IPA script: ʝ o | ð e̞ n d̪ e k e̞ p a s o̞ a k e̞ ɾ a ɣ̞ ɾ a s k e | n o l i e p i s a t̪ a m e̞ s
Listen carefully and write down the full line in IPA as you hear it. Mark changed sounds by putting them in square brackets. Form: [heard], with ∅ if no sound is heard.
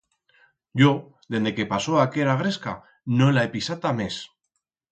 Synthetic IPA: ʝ o | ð e̞ n d̪ e k e̞ p a s o̞ a k e̞ ɾ a ɣ̞ ɾ [e] s k [a] | n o l [a] e p i s a t̪ a m e̞ s

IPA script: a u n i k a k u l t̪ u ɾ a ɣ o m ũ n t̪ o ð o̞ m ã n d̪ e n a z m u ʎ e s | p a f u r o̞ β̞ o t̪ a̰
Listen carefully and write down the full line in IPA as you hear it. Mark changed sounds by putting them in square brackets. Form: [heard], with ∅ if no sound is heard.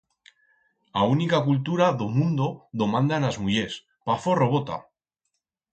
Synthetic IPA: a u n i k a k u l t̪ u ɾ a [ð] o m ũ n [d̪] o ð o̞ m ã n d̪ [a] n a z m u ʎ e s | p a f [o] r o̞ β̞ o t̪ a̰

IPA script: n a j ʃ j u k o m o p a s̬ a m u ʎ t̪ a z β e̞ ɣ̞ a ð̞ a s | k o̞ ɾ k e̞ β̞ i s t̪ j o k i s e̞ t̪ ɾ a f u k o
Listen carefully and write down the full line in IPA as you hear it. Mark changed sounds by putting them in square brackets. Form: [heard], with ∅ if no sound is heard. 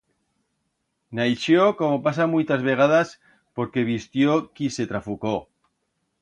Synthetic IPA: n a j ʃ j [o] k o m o p a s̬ a m u [j] t̪ a z β e̞ ɣ̞ a ð̞ a s | [p] o̞ ɾ k e̞ β̞ i s t̪ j o k i s e̞ t̪ ɾ a f u k o

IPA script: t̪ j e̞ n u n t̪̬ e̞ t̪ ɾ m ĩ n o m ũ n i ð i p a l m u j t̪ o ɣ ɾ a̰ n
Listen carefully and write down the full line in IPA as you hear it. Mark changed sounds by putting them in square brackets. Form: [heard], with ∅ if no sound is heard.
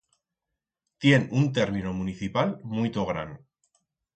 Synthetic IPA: t̪ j e̞ n u n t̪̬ e̞ [∅] ɾ m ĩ n o m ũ n i [θ] i p a l m u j t̪ o ɣ ɾ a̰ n

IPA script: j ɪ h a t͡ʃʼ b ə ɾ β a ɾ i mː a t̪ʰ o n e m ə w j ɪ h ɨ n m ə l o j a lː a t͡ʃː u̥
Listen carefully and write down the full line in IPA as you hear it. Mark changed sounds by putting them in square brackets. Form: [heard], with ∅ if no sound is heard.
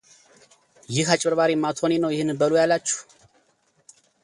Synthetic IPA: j ɪ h a t͡ʃʼ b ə ɾ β a ɾ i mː a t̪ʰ o n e [n] ə w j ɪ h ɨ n [b] ə l o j a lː a t͡ʃː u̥

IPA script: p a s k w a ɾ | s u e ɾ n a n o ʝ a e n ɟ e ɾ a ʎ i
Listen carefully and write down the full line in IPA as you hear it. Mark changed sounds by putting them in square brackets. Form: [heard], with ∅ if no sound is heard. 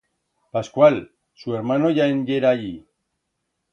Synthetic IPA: p a s k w a [l] | s u e ɾ [m] a n o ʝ a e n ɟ e ɾ a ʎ i

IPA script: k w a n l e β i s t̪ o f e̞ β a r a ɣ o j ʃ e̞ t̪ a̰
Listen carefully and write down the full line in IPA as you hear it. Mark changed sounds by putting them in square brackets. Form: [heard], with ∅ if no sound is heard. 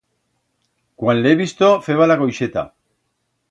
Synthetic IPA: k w a n l e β i s t̪ o f e̞ β a [l] a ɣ o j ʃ e̞ t̪ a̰

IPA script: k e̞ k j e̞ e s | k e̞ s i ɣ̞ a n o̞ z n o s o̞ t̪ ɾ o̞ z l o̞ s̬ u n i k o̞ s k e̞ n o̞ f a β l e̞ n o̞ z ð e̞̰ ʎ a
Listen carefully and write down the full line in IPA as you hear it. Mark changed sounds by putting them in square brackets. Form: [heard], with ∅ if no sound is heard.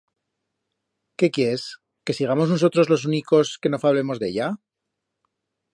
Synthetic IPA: k e̞ k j e̞ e s | k e̞ s i ɣ̞ a [m] o̞ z n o s o̞ t̪ ɾ o̞ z l o̞ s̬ u n i k o̞ s k e̞ n o̞ f a β l e̞ [m] o̞ z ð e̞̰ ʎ a

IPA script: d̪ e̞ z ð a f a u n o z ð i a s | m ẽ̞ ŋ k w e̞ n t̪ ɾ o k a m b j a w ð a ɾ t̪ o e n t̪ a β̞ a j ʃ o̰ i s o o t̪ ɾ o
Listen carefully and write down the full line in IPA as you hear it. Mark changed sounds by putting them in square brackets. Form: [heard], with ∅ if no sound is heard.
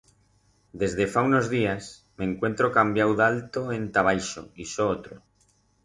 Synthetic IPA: d̪ e̞ z ð [e] f a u n o z ð i a s | m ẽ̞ ŋ k w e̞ n t̪ ɾ o k a m b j a w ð a [l] t̪ o e n t̪ a β̞ a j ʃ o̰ i s o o t̪ ɾ o

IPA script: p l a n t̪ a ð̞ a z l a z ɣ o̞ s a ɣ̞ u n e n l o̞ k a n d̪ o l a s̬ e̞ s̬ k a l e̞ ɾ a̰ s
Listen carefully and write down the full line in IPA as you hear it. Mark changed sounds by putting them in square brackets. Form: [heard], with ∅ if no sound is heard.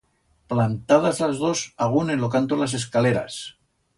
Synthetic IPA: p l a n t̪ a ð̞ a z l a z [ð] o̞ s a ɣ̞ u n e n l o̞ k a n [t̪] o l a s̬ e̞ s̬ k a l e̞ ɾ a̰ s

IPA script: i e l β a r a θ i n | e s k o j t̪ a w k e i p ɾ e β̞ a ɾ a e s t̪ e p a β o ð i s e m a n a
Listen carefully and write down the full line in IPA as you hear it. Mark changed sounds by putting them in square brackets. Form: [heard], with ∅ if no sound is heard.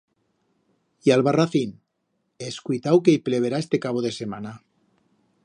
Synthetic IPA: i [a] l β a r a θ i n | e s k [u] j t̪ a w k e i p [l] e β̞ [e] ɾ a e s t̪ e [k] a β o ð [e] s e m a n a

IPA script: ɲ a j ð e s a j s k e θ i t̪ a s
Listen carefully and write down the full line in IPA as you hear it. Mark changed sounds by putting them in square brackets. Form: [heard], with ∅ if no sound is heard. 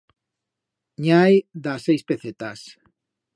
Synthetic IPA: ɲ a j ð [a] s [e] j s [p] e θ [e] t̪ a s

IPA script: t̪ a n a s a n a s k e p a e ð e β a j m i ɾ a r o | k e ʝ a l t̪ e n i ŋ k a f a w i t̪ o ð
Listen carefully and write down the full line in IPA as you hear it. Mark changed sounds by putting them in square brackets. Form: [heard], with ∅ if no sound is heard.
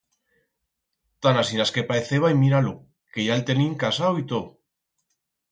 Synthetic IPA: t̪ a n a s [i] n a s k e p a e [θ] e β a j m i ɾ a [l] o | k e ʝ a l t̪ e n i ŋ k a [s] a w i t̪ o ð

